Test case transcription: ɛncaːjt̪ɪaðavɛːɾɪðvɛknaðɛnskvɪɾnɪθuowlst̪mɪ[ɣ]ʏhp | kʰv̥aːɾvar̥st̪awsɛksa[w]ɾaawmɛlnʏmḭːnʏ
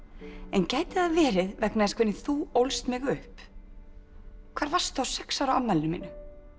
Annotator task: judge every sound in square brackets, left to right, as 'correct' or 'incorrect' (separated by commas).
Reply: correct, correct